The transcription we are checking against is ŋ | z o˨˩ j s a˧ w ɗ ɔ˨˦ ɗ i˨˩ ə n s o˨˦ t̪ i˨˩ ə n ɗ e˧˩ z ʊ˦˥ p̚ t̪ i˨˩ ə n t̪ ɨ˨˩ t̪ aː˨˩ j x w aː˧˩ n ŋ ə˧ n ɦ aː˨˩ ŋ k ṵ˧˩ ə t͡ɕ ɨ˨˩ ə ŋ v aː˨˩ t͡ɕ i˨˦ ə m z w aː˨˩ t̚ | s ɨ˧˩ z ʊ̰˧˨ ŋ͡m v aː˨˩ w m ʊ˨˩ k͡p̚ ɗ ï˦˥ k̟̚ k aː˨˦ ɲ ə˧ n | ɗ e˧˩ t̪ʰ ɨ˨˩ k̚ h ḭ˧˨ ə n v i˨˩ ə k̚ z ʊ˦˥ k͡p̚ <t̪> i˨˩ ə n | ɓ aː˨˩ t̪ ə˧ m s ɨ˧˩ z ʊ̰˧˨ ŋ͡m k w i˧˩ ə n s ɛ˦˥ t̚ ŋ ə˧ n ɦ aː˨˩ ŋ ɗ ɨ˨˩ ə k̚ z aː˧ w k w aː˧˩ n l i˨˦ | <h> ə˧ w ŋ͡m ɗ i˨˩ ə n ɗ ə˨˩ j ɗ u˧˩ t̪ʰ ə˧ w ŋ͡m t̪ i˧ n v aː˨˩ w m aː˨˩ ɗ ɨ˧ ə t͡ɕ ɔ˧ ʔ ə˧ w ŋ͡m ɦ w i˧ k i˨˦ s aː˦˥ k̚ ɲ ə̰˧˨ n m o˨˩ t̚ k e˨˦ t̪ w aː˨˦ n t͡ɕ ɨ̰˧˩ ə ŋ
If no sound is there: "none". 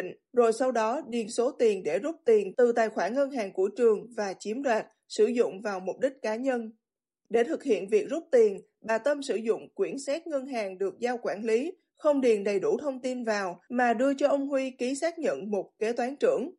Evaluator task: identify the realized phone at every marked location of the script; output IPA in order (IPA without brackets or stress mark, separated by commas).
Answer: t̪, x